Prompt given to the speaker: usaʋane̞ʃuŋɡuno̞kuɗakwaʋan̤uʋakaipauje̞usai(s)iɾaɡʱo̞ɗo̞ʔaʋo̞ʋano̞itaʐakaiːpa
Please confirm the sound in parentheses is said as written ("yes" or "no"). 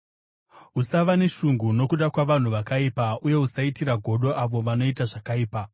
no